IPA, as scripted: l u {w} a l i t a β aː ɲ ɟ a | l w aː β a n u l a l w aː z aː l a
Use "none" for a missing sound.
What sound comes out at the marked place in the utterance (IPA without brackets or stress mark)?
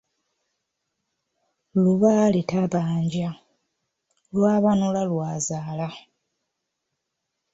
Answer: β